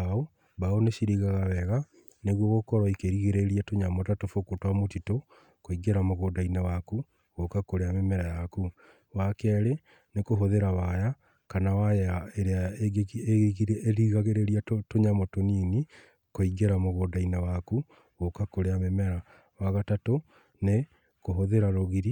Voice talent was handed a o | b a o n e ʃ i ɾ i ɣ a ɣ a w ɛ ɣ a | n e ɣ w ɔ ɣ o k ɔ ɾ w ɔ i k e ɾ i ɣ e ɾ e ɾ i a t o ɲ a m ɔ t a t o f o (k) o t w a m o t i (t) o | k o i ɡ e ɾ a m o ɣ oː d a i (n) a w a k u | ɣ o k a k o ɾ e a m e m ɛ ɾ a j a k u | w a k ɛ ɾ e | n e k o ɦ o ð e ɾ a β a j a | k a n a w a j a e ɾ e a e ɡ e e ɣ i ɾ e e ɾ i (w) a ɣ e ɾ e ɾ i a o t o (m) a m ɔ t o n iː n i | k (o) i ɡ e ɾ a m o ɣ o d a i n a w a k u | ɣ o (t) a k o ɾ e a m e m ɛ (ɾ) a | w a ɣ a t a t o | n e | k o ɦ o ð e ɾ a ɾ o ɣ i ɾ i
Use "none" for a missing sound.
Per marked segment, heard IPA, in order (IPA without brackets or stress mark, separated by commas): k, t, n, ɣ, ɲ, o, k, ɾ